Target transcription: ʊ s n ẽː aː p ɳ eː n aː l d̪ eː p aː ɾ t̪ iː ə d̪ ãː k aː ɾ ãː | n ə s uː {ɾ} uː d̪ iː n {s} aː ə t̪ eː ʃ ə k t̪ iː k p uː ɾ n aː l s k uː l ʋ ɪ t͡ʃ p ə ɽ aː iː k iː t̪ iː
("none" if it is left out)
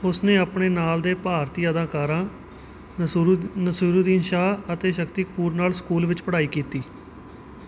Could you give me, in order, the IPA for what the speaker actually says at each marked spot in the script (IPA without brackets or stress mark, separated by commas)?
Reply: ɾ, ʃ